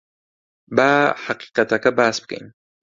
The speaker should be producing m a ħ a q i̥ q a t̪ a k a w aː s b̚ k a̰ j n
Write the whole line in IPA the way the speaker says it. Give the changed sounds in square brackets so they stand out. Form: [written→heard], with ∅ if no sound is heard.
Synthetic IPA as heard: [m→b] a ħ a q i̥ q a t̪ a k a [w→b] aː s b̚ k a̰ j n